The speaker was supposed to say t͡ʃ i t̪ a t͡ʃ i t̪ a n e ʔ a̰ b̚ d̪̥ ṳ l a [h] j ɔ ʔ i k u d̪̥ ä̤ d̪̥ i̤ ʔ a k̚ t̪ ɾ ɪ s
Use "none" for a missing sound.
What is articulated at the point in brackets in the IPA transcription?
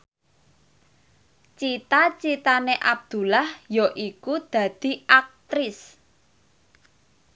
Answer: h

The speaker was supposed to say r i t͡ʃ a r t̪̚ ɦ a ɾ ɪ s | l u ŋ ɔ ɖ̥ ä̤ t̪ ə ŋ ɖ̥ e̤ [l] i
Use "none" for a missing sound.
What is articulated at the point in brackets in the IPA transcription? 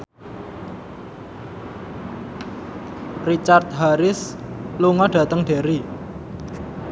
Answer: ɾ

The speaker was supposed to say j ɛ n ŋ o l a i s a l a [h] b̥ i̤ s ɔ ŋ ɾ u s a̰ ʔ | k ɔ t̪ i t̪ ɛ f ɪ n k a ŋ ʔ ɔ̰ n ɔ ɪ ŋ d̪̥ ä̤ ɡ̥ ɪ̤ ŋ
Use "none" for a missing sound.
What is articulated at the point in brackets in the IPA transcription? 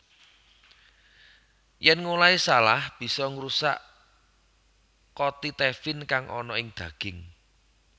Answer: h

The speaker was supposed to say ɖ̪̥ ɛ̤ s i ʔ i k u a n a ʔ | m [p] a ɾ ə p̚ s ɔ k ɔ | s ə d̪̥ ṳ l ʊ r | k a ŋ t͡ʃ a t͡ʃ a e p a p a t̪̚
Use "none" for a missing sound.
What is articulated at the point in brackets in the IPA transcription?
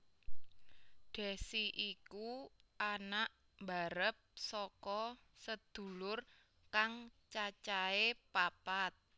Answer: b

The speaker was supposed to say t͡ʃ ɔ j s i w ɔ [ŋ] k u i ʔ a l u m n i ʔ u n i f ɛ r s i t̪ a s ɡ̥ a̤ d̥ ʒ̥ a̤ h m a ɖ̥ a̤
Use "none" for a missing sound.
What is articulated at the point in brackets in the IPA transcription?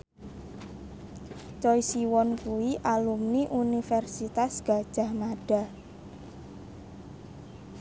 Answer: n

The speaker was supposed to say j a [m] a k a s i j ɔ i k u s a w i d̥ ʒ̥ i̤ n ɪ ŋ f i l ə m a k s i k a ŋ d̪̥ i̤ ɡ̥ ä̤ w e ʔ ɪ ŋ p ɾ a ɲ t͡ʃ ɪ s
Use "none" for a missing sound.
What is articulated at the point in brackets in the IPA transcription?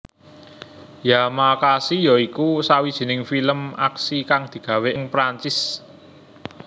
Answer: m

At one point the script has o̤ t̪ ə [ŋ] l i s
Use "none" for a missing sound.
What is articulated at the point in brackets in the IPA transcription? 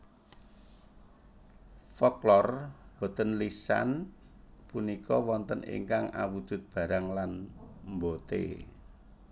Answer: n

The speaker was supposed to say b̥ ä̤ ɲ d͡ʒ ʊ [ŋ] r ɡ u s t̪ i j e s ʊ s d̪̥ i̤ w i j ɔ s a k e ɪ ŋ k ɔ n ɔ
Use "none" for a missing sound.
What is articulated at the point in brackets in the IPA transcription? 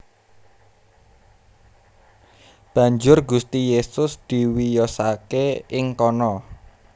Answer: none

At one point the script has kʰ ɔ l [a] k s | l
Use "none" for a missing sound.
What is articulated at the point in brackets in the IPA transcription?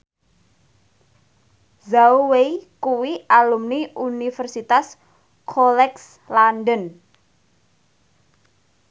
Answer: ɛ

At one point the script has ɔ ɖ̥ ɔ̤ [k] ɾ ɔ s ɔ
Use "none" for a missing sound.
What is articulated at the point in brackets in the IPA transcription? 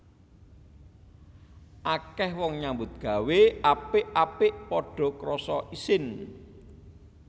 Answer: k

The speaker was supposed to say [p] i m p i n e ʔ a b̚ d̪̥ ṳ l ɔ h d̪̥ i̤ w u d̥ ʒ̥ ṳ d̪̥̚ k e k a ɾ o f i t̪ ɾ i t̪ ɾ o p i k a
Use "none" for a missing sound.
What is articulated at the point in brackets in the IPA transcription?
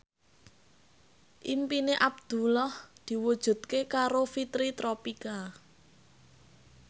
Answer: ʔ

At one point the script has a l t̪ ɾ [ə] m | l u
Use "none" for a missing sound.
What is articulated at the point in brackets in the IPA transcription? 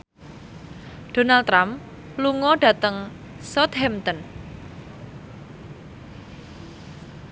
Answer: a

